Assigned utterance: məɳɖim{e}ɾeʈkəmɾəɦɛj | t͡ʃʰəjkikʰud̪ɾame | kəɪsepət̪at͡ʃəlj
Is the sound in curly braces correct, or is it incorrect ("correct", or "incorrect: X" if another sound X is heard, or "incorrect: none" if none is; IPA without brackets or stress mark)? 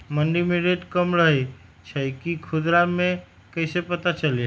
correct